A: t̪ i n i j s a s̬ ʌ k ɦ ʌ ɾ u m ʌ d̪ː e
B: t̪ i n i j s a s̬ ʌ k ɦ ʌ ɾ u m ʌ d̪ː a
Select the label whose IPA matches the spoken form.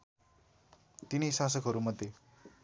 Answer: A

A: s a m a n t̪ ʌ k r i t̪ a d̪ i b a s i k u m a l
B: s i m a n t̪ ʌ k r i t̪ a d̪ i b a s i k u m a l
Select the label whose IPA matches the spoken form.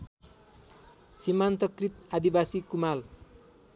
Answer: B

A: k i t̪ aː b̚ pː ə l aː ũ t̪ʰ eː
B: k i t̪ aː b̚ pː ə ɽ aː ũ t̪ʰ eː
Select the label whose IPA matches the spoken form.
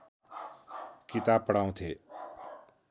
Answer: B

